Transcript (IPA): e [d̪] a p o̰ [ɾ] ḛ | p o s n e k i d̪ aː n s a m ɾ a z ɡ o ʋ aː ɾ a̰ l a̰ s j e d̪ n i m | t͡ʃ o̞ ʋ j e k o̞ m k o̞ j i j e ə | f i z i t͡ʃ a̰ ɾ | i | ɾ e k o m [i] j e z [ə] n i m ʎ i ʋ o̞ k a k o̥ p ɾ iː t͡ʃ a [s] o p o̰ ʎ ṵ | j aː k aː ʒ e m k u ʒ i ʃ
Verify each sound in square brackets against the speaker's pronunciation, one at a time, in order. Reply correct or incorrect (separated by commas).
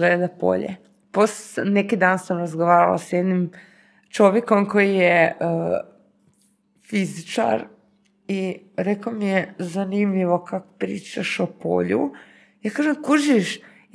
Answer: correct, incorrect, correct, incorrect, incorrect